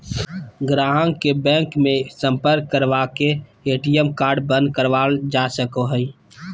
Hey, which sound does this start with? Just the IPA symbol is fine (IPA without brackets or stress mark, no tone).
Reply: ɡ